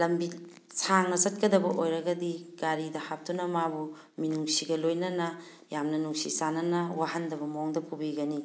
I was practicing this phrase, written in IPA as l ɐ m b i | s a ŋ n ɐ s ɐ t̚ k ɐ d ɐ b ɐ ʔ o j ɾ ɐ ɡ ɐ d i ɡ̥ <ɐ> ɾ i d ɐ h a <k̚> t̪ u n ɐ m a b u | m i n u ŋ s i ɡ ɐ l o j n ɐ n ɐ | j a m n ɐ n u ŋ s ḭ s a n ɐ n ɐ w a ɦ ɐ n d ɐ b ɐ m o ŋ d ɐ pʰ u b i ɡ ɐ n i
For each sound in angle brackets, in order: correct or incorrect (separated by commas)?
incorrect, incorrect